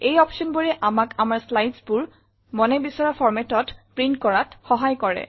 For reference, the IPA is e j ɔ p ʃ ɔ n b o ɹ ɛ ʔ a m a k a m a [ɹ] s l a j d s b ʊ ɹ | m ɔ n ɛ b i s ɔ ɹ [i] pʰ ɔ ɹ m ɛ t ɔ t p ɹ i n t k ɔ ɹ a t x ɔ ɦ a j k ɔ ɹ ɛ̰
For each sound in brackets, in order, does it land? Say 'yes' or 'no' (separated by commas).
yes, no